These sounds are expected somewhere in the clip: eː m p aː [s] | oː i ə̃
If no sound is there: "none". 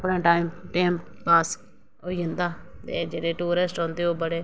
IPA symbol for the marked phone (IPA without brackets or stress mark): s